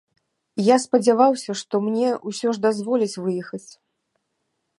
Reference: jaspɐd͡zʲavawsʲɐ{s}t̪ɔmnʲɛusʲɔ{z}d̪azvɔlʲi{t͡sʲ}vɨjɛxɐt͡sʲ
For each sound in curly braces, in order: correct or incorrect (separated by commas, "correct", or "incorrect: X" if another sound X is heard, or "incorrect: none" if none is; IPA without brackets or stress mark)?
incorrect: ʂ, incorrect: ʐ, correct